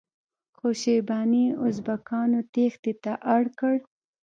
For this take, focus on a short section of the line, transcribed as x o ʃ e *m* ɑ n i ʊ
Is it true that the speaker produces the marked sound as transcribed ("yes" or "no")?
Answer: no